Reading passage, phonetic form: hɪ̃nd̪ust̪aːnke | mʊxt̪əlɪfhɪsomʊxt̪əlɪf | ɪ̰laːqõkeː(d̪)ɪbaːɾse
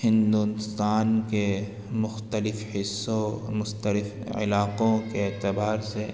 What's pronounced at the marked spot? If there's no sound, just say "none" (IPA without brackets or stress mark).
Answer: t̪